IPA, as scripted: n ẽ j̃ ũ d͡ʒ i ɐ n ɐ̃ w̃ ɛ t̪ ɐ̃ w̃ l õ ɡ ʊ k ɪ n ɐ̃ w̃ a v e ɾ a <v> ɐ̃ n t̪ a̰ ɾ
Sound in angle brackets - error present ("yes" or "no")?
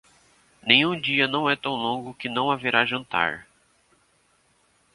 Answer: yes